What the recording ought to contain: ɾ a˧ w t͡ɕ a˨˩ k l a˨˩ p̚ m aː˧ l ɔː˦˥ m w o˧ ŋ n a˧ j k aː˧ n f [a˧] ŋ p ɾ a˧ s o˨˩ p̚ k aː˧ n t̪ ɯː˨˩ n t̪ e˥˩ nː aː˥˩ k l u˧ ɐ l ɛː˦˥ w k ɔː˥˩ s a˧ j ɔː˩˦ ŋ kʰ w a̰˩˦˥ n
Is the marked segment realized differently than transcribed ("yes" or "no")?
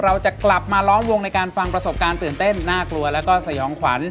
no